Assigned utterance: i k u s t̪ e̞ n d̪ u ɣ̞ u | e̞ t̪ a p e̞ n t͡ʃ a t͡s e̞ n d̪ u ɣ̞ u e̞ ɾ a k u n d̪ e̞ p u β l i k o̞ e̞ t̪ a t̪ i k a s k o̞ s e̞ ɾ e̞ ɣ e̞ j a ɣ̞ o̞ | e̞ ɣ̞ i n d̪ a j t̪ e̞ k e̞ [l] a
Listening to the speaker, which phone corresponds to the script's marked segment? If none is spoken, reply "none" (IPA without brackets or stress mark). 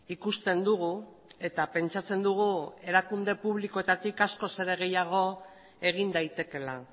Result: l